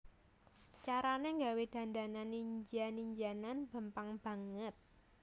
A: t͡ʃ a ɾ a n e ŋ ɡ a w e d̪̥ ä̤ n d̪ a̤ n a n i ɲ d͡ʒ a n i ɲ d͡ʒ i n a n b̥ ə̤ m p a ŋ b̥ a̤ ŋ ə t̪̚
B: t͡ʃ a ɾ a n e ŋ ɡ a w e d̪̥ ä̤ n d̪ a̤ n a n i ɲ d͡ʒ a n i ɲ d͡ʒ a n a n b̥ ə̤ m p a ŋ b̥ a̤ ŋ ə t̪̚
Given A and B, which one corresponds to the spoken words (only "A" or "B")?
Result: B